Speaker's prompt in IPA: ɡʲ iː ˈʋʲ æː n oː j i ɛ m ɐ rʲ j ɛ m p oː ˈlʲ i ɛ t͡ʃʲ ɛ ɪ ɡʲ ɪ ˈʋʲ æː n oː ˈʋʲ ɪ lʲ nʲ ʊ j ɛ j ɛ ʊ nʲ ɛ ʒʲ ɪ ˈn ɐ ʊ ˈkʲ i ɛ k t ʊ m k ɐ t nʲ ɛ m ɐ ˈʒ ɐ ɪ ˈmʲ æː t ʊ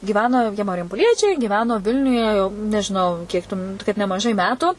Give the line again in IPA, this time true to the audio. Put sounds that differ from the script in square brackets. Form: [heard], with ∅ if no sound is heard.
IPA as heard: ɡʲ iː ˈʋʲ æː n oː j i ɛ m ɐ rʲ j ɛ m p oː ˈlʲ i ɛ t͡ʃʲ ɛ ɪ ɡʲ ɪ ˈʋʲ æː n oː ˈʋʲ ɪ lʲ nʲ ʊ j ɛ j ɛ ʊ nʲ ɛ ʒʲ ɪ ˈn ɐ ʊ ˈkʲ i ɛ k t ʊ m k ɐ t nʲ ɛ m ɐ ˈʒ ɐ ɪ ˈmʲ æː t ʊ